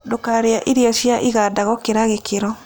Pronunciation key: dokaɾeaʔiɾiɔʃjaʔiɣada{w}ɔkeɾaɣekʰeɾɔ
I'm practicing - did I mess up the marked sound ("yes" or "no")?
yes